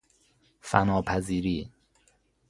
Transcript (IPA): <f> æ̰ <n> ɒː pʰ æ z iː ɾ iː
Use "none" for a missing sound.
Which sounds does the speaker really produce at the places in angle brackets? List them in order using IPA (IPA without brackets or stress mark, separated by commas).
f, n